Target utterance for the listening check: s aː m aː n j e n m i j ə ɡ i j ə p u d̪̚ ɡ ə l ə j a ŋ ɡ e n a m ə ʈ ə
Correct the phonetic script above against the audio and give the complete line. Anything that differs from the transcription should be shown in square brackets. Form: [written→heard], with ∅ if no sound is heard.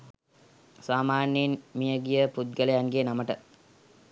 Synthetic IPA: s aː m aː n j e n m i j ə ɡ i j ə p u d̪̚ ɡ ə l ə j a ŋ ɡ e n a m ə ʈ ə